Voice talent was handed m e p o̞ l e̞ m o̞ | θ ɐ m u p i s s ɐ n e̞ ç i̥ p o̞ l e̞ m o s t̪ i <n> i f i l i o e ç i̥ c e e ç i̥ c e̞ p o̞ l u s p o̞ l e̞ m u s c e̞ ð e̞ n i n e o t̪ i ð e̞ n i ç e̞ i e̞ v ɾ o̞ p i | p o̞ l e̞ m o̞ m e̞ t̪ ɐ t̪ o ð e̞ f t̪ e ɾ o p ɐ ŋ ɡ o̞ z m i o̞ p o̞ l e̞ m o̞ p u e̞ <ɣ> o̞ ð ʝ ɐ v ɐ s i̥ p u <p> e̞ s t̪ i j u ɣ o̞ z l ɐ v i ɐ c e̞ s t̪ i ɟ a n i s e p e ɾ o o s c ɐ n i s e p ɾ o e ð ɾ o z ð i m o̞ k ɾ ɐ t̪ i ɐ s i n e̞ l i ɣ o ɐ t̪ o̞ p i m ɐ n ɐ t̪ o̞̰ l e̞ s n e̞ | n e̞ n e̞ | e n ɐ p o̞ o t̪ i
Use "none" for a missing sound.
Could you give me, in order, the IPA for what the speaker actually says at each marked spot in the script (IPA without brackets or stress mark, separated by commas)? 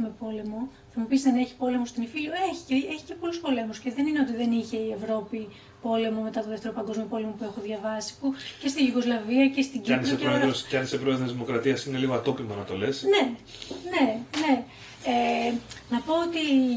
n, x, c